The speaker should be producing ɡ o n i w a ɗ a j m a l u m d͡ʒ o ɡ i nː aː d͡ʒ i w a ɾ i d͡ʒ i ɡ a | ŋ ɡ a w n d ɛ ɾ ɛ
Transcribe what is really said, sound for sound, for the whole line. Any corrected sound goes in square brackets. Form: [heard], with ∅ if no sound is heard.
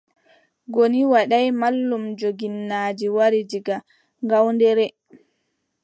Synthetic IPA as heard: ɡ o n i w a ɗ a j m a [lː] u m d͡ʒ o ɡ i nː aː d͡ʒ i w a ɾ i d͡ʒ i ɡ a | ŋ ɡ a w n d ɛ ɾ ɛ